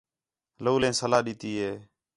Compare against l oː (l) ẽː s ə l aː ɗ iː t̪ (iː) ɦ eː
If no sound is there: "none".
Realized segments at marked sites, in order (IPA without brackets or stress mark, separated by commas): l, iː